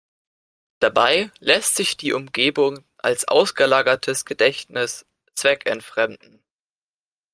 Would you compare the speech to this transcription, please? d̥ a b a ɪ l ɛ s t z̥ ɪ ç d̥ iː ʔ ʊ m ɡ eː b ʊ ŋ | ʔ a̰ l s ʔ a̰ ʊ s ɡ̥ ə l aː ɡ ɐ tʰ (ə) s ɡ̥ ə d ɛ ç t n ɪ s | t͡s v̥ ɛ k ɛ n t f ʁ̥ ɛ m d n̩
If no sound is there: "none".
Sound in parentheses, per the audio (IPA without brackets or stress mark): ə